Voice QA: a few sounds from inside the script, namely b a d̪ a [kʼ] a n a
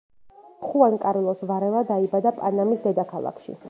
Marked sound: incorrect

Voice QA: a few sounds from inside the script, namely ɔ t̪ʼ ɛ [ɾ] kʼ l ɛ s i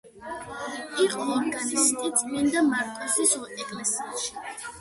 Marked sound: incorrect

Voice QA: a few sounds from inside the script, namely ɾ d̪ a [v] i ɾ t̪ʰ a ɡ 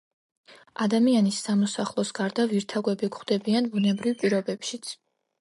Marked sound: correct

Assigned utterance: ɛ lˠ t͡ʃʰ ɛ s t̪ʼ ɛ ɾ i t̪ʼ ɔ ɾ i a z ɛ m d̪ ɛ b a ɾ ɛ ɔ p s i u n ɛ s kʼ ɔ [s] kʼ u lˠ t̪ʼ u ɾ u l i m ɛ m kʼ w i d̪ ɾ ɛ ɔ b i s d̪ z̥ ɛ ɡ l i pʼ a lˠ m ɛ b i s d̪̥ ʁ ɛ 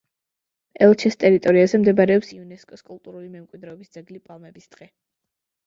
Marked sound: correct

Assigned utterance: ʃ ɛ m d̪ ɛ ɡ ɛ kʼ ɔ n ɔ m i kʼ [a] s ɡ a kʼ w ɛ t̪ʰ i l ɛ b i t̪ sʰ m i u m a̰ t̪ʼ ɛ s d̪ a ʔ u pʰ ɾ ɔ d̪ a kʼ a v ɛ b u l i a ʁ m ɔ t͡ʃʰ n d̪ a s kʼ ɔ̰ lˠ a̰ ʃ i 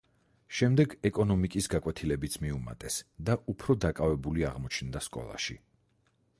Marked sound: incorrect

